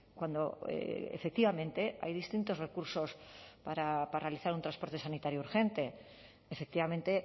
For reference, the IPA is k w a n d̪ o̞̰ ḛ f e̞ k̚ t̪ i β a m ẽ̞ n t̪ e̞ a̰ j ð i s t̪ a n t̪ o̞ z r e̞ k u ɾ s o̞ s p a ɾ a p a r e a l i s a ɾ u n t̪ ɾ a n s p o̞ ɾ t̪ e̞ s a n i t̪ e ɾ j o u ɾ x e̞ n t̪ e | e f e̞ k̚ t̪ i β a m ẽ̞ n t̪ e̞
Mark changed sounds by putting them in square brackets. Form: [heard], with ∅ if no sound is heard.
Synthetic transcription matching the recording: k w a n d̪ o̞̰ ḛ f e̞ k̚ t̪ i β a m ẽ̞ n t̪ e̞ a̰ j ð i s t̪ [i] n t̪ o̞ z r e̞ k u ɾ s o̞ s p a ɾ a p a r e a l i [θ] a ɾ u n t̪ ɾ a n s p o̞ ɾ t̪ e̞ s a n i t̪ [a] ɾ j o u ɾ x e̞ n t̪ e | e f e̞ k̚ t̪ i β a m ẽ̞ n t̪ e̞